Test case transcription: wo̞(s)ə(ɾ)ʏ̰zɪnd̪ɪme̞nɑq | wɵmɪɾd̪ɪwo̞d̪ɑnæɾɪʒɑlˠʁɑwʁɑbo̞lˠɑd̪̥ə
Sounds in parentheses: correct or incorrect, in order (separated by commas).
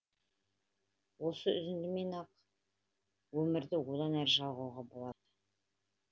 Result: correct, incorrect